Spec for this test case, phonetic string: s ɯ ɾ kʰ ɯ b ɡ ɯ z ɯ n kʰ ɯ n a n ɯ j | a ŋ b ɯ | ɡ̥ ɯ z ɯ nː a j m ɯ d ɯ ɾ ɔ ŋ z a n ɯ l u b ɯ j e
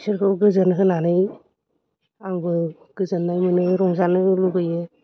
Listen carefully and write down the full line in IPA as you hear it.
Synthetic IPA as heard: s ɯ ɾ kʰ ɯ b ɡ ɯ z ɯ n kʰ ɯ n a n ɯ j | a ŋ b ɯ | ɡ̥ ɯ z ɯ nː a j m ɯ n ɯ ɾ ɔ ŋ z a n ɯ l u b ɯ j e

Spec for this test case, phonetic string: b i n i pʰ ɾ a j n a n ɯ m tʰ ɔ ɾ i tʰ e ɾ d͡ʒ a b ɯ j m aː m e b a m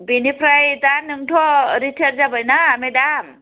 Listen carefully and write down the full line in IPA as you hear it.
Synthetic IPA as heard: b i n i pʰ ɾ a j d a n ɯ ŋ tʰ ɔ ɾ i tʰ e ɾ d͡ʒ a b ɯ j n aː m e d a m

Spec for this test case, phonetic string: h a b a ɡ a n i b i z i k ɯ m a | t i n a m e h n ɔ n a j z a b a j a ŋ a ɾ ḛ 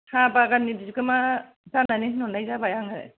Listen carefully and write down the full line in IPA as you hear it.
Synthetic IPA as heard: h a b a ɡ a n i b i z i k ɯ m a | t a n a n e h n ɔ n a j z a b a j a ŋ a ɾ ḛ

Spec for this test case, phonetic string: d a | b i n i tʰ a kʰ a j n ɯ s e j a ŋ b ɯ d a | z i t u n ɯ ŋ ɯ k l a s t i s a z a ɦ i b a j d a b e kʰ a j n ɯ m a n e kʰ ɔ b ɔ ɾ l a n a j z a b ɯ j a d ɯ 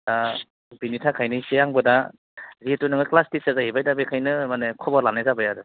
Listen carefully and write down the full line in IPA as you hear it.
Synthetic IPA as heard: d a | b i n i tʰ a kʰ a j n ɯ s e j a ŋ b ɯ d a | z i t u n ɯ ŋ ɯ k l a s t i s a z a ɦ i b a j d a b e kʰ a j n ɯ m a n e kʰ ɔ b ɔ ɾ l a n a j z a b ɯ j a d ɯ

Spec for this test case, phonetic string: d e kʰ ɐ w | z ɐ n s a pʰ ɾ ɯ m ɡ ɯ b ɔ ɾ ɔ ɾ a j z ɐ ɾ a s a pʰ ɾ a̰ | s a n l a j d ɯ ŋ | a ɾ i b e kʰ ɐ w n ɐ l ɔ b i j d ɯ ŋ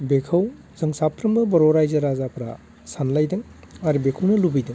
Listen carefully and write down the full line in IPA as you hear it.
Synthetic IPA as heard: b e kʰ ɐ w | z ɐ ŋ s a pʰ ɾ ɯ m b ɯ b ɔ ɾ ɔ ɾ a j z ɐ ɾ a z a pʰ ɾ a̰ | s a n l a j d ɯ ŋ | a ɾ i b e kʰ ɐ w n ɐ l u b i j d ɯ ŋ

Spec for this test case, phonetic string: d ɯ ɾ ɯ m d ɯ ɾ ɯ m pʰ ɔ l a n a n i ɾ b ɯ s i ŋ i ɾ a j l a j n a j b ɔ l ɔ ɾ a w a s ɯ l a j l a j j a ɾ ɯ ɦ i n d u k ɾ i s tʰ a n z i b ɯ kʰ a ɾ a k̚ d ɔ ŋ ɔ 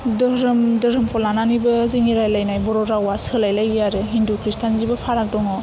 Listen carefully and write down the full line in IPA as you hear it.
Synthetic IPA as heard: d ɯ ɾ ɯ m d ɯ ɾ ɯ m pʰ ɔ l a n a n i b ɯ z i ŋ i ɾ a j l a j n a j b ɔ ɾ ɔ ɾ a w a s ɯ l a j l a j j a ɾ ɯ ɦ i n d u k ɾ i s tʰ a n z i b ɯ pʰ a ɾ a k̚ d ɔ ŋ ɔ

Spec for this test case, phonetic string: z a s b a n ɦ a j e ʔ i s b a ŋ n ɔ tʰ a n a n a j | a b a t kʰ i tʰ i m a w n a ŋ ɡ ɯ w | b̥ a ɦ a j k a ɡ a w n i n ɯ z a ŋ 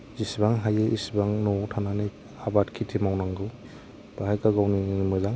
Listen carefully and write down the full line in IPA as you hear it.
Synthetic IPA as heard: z i s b a ŋ ɦ a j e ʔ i s b a ŋ n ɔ tʰ a n a n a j | a b a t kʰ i tʰ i m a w n a ŋ ɡ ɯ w | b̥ a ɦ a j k a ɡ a w n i m ɯ z a ŋ

